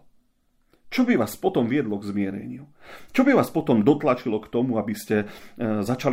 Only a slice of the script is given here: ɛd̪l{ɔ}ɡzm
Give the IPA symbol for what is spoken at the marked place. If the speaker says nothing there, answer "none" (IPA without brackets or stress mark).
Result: ɔ